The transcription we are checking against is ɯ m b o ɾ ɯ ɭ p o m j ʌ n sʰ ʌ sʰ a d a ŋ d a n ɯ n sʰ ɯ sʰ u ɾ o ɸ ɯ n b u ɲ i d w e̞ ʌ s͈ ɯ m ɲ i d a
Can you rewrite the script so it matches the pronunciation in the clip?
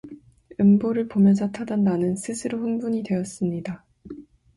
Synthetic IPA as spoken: ɯ m b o ɾ ɯ ɭ p o m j ʌ n sʰ ʌ tʰ a d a n d a n ɯ n sʰ ɯ sʰ ɯ ɾ o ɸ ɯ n b u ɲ i d w e̞ ʌ s͈ ɯ m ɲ i d a